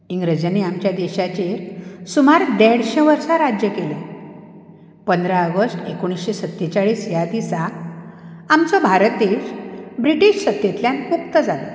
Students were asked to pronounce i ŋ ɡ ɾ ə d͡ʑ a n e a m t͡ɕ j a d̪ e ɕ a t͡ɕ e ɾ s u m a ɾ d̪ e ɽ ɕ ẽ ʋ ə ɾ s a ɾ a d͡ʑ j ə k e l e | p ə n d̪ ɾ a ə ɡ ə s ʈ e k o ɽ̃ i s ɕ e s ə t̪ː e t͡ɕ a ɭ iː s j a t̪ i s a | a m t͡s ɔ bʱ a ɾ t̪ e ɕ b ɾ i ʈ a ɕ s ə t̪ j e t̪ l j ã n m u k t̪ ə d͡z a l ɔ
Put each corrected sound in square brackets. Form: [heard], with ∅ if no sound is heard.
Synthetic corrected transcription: i ŋ ɡ ɾ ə d͡ʑ a n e a m t͡ɕ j a d̪ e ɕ a t͡ɕ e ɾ s u m a ɾ d̪ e ɽ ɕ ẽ ʋ ə ɾ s a ɾ a d͡ʑ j ə k e l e | p ə n d̪ ɾ a ə ɡ ə s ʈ e k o ɽ̃ i s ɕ e s ə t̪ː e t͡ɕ a ɭ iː s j a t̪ i s a | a m t͡s ɔ bʱ a ɾ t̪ e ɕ b ɾ i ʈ [i] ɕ s ə t̪ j e t̪ l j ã n m u k t̪ ə d͡z a l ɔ

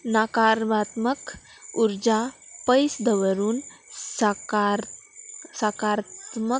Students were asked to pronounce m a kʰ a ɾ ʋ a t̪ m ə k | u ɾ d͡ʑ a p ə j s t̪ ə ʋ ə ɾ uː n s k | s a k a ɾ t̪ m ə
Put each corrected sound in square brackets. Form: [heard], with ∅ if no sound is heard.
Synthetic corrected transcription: [n] a [k] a ɾ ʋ a t̪ m ə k | u ɾ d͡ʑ a p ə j s [d̪] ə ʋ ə ɾ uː n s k | s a k a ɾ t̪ m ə

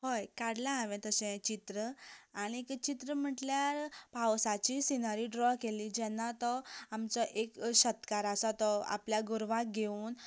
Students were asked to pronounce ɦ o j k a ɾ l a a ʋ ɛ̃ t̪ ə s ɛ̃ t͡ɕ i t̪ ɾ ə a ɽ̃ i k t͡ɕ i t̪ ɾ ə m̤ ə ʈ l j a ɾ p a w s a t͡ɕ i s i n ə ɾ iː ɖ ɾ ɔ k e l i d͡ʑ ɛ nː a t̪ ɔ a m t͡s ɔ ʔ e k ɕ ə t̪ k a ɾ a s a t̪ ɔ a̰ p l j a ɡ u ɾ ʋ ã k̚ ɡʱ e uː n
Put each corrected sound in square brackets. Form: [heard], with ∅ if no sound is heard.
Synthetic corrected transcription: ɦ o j k a [ɽ] l a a ʋ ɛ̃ t̪ ə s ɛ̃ t͡ɕ i t̪ ɾ ə a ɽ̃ i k t͡ɕ i t̪ ɾ ə m̤ ə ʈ l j a ɾ p a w s a t͡ɕ i s i n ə ɾ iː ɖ ɾ ɔ k e l i d͡ʑ ɛ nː a t̪ ɔ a m t͡s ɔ ʔ e k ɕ ə t̪ k a ɾ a s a t̪ ɔ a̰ p l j a ɡ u ɾ ʋ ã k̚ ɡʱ e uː n

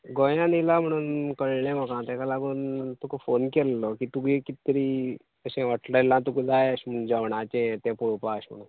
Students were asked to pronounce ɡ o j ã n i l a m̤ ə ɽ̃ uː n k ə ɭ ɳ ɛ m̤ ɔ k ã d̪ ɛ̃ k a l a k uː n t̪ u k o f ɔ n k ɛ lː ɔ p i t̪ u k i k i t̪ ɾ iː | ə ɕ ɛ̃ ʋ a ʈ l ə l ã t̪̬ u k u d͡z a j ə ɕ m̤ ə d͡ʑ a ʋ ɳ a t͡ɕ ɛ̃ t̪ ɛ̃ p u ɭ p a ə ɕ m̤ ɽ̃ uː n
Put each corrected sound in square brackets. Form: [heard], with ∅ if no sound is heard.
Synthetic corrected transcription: ɡ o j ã n i l a m̤ ə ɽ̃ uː n k ə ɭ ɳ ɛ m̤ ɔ k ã [t̪] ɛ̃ k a l a [ɡ] uː n t̪ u k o f [o] n k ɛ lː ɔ [k] i t̪ u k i k i t̪ ɾ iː | ə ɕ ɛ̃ ʋ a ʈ l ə l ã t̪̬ u k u d͡z a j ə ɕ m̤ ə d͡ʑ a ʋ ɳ a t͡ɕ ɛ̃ t̪ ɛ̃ p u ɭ p a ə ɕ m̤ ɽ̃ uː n

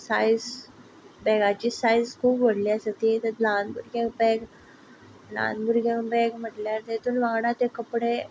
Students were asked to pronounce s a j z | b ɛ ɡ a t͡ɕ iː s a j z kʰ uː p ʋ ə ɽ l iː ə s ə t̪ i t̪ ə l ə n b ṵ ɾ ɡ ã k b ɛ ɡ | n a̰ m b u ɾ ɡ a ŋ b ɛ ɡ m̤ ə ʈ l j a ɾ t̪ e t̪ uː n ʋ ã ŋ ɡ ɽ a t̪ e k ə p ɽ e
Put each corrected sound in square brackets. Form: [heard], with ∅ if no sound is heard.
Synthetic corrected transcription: s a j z | b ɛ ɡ a t͡ɕ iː s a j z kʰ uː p ʋ ə ɽ l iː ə s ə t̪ i t̪ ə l [a] n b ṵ ɾ ɡ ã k b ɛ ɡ | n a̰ [n] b u ɾ ɡ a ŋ b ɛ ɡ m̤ ə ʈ l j a ɾ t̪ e t̪ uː n ʋ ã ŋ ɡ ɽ a t̪ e k ə p ɽ e

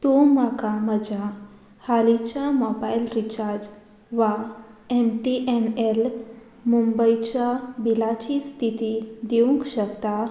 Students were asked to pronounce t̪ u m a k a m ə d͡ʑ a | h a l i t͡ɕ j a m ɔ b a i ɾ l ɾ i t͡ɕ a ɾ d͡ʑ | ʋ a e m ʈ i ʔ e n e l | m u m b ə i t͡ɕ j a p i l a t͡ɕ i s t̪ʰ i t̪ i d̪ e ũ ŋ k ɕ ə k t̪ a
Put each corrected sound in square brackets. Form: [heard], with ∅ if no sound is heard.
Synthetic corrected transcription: t̪ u m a k a m ə d͡ʑ a | h a l i t͡ɕ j a m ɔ b a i [∅] l ɾ i t͡ɕ a ɾ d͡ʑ | ʋ a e m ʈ i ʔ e n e l | m u m b ə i t͡ɕ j a [b] i l a t͡ɕ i s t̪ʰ i t̪ i d̪ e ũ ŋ k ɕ ə k t̪ a

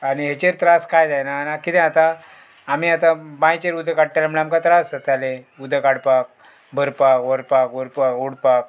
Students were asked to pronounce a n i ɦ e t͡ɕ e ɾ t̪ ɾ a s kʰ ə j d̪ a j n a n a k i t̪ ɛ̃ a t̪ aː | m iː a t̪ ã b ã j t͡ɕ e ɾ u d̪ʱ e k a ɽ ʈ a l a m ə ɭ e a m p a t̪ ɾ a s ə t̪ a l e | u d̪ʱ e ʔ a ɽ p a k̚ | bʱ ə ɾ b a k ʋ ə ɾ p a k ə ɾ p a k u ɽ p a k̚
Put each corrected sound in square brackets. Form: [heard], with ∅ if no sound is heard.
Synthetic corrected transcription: a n i ɦ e t͡ɕ e ɾ t̪ ɾ a s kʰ [a] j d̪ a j n a n a k i t̪ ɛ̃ a t̪ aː | m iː a t̪ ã b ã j t͡ɕ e ɾ u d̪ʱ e k a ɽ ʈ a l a m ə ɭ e a m [k] a t̪ ɾ a s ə t̪ a l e | u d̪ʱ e [k] a ɽ p a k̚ | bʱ ə ɾ [p] a k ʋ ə ɾ p a k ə ɾ p a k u ɽ p a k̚

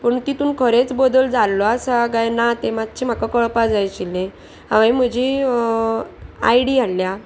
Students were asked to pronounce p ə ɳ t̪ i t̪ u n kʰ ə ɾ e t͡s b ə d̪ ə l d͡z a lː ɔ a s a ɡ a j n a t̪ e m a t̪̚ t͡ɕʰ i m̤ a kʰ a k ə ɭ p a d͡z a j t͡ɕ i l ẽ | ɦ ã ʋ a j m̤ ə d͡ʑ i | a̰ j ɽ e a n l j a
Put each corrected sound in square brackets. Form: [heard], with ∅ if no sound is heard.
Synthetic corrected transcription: p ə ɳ t̪ i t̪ [uː] n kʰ ə ɾ e t͡s b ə d̪ ə l d͡z a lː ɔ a s a ɡ a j n a t̪ e m a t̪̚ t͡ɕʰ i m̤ a [k] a k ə ɭ p a d͡z a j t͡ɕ i l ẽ | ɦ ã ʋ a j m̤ ə d͡ʑ i | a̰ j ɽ [i] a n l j a

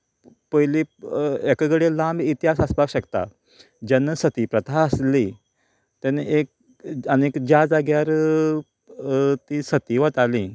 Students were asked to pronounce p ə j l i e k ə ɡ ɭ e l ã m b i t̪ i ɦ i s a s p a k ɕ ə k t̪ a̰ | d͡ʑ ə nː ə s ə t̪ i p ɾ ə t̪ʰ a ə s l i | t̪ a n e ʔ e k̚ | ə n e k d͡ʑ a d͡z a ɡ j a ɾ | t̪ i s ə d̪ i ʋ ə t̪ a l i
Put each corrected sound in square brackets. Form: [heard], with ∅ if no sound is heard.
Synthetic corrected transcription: p ə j l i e k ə ɡ [ɽ] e l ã m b i t̪ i ɦ [a] s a s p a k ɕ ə k t̪ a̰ | d͡ʑ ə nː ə s ə t̪ i p ɾ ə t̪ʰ a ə s l i | t̪ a n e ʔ e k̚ | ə n e k d͡ʑ a d͡z a ɡ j a ɾ | t̪ i s ə [t̪] i ʋ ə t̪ a l i

